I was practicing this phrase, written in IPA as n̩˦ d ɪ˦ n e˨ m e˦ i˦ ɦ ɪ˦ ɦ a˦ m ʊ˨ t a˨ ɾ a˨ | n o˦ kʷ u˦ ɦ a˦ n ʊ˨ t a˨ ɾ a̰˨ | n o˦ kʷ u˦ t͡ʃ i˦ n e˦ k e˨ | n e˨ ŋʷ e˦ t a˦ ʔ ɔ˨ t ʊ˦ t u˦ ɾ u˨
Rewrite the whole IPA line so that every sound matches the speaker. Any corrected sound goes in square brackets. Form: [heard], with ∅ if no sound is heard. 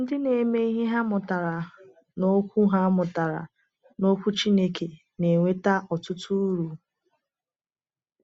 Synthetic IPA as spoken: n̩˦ d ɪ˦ n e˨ m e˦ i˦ ɦ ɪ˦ ɦ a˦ m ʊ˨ t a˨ ɾ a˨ | n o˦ kʷ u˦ ɦ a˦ [m] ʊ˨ t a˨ ɾ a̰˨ | n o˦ kʷ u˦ t͡ʃ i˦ n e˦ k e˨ | n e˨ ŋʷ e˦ t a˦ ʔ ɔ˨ t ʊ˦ t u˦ ɾ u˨